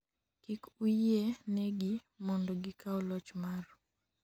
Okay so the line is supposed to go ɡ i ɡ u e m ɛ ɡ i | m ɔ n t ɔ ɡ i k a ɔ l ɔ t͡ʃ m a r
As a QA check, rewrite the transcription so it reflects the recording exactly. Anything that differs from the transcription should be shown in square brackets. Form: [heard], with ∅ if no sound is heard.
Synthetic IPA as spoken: [k] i [k] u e [n] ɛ ɡ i | m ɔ n [d] ɔ ɡ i k a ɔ l ɔ t͡ʃ m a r